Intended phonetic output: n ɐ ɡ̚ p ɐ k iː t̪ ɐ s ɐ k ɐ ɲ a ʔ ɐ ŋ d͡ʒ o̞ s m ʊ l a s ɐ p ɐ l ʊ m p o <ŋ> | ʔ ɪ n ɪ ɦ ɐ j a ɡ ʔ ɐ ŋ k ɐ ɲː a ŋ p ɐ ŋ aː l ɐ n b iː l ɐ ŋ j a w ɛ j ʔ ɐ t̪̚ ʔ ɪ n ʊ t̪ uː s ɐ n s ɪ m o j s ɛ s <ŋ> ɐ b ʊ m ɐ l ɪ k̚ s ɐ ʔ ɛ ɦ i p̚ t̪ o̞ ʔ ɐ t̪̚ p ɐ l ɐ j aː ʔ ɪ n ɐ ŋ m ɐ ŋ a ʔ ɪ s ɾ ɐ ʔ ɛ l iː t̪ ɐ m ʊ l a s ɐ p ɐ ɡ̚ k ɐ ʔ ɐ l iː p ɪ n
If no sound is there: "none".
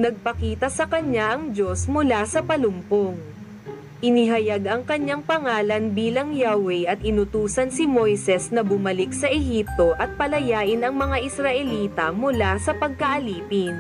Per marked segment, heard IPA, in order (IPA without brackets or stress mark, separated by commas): ŋ, n